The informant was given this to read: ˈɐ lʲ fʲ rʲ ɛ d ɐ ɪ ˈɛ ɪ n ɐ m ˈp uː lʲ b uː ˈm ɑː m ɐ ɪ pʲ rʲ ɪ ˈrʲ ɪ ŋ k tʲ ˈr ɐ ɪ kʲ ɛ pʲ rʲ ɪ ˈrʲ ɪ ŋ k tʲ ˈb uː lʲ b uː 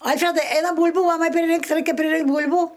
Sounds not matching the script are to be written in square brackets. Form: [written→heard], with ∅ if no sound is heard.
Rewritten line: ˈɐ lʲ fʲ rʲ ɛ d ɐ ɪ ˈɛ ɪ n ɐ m [ˈp→ˈb] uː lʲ b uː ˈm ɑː m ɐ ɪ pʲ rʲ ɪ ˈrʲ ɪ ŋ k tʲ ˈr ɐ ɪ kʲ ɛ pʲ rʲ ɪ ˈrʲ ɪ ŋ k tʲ ˈb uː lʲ b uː

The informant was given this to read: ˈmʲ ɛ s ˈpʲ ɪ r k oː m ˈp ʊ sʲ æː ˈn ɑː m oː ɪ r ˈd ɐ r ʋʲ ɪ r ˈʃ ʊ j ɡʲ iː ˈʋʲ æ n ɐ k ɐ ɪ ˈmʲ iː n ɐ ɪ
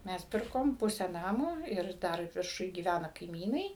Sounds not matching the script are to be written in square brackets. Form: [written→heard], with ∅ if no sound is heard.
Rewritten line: ˈmʲ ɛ s ˈpʲ ɪ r k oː m ˈp ʊ sʲ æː ˈn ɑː m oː ɪ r ˈd ɐ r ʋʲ ɪ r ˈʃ ʊ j ɡʲ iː ˈʋʲ æ n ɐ k ɐ ɪ ˈmʲ iː n ɐ ɪ

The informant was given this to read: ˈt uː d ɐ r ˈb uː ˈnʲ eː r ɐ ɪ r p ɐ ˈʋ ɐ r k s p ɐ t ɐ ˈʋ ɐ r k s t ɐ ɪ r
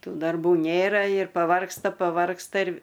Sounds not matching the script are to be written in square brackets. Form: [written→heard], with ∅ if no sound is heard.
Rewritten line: ˈt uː d ɐ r ˈb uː ˈnʲ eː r ɐ ɪ r p ɐ ˈʋ ɐ r k s [p→t] ɐ [t→p] ɐ ˈʋ ɐ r k s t ɐ ɪ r

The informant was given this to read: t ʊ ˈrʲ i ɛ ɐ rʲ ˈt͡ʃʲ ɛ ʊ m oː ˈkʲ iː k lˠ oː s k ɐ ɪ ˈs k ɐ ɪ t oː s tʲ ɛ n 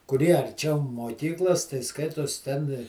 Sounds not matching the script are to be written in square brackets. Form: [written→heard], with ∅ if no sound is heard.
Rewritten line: [t→k] ʊ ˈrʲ i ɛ ɐ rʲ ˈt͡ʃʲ ɛ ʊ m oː ˈkʲ iː k lˠ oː s [k→t] ɐ ɪ ˈs k ɐ ɪ t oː s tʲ ɛ n

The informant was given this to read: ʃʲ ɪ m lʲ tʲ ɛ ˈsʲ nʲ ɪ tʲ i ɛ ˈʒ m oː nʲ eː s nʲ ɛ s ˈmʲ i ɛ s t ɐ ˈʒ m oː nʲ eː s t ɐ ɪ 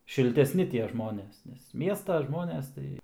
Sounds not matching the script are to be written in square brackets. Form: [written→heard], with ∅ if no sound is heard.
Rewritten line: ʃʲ ɪ [m→∅] lʲ tʲ ɛ ˈsʲ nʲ ɪ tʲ i ɛ ˈʒ m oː nʲ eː s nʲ ɛ s ˈmʲ i ɛ s t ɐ ˈʒ m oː nʲ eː s t ɐ ɪ

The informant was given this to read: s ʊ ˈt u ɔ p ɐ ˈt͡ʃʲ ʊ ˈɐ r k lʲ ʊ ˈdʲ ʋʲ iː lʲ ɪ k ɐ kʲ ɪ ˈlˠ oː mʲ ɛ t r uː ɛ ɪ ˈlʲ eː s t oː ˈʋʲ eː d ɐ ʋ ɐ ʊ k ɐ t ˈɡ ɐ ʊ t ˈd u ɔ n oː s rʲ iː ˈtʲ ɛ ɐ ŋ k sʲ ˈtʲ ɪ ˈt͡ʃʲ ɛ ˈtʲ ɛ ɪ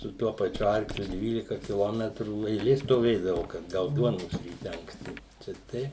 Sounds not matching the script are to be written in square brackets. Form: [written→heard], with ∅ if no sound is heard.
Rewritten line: s ʊ ˈt u ɔ p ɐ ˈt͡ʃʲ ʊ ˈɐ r k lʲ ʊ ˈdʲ ʋʲ iː lʲ ɪ k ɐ kʲ ɪ ˈlˠ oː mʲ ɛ t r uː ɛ ɪ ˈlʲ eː s t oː ˈʋʲ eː d ɐ ʋ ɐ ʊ k ɐ t ˈɡ ɐ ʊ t ˈd u ɔ n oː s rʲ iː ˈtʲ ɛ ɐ ŋ k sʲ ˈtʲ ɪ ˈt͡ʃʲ ɛ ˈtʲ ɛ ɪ

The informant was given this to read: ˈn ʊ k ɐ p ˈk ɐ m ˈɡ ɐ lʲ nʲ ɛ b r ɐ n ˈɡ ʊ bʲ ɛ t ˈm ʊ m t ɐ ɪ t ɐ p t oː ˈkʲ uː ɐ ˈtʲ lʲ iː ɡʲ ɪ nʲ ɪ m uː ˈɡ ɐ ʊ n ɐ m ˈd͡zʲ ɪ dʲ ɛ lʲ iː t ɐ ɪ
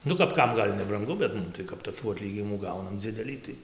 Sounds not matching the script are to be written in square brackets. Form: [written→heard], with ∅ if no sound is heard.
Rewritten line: ˈn ʊ k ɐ p ˈk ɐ m ˈɡ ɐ lʲ nʲ ɛ b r ɐ [n→ŋ] ˈɡ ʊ bʲ ɛ t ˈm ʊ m t ɐ ɪ [t→k] ɐ p t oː ˈkʲ uː ɐ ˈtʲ lʲ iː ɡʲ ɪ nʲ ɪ m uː ˈɡ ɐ ʊ n ɐ m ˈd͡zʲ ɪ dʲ ɛ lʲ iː t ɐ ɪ

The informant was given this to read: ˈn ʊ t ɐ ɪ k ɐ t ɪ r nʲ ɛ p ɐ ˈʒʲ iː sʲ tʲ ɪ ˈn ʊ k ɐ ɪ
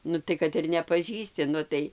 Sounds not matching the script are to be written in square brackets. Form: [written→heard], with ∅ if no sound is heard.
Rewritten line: ˈn ʊ t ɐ ɪ k ɐ t ɪ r nʲ ɛ p ɐ ˈʒʲ iː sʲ tʲ ɪ ˈn ʊ [k→t] ɐ ɪ

